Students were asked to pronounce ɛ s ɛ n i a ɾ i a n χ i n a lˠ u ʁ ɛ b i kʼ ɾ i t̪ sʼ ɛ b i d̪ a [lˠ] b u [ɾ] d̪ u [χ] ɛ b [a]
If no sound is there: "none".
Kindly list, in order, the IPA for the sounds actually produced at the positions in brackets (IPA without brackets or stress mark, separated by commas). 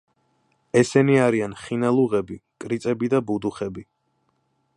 none, none, χ, i